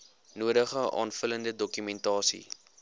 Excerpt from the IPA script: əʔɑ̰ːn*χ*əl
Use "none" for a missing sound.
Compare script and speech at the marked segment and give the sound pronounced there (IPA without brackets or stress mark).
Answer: f